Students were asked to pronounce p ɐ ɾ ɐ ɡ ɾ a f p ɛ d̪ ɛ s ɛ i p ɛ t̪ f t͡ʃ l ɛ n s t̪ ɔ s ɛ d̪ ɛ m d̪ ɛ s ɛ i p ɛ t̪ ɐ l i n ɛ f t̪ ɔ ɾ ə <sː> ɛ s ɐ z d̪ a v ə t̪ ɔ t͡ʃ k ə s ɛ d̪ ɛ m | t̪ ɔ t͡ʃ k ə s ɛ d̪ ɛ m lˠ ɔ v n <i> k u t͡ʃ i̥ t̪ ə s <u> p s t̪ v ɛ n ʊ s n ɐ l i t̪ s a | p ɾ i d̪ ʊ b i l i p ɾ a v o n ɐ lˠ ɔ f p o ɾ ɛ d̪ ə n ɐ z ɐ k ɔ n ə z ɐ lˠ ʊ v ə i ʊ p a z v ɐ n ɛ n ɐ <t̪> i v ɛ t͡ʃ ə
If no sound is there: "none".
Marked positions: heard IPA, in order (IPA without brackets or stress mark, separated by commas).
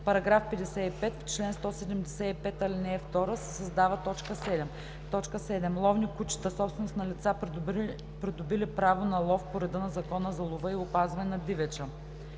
s, i, ɔ, d̪